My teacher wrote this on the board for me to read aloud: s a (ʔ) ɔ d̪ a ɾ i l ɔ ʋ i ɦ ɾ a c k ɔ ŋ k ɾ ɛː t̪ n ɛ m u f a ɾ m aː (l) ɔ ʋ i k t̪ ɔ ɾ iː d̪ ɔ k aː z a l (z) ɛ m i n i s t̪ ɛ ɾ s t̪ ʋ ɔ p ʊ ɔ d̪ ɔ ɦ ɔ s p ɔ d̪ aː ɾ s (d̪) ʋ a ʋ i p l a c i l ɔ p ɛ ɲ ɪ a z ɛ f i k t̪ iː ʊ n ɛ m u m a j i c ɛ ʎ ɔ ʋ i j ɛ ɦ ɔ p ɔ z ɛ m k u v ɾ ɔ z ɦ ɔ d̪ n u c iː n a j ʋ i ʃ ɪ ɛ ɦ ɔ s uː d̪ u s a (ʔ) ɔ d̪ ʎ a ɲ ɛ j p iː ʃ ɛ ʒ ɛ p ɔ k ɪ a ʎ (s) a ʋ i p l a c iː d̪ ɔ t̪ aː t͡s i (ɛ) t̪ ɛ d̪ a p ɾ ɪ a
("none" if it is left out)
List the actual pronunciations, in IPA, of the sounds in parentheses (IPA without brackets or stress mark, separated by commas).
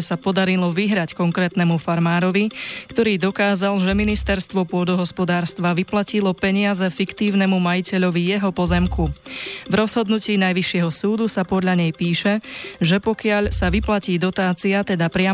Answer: p, ɾ, ʒ, t̪, p, s, a